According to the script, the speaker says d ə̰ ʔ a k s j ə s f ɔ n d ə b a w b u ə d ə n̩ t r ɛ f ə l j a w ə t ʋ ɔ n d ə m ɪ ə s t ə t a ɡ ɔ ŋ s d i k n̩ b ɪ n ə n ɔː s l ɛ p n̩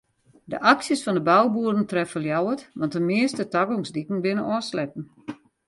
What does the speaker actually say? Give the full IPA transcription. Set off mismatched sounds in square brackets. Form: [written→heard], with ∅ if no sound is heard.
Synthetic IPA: d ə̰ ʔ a k s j ə s f ɔ n d ə b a w b u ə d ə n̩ t r ɛ f ə l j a w ə t ʋ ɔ n [d→t] ə m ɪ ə s t ə t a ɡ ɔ ŋ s d i k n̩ b ɪ n ə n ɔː s l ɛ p n̩